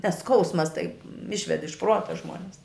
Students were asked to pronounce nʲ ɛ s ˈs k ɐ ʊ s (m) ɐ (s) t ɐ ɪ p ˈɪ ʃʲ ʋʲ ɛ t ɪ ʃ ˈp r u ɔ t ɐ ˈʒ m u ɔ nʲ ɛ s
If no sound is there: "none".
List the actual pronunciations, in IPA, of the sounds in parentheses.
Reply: m, s

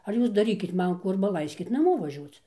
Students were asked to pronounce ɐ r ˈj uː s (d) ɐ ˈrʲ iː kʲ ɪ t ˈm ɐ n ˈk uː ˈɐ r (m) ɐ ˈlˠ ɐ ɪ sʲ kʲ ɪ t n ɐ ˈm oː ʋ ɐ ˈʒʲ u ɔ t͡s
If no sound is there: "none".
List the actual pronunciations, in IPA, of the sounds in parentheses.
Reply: d, b

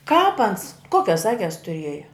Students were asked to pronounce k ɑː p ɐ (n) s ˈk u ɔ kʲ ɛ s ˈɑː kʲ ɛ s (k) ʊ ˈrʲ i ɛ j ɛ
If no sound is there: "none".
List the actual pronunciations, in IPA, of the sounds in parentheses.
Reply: n, t

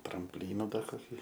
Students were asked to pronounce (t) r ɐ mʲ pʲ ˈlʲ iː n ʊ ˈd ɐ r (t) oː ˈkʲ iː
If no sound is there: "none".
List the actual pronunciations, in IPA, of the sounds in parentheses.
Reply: t, k

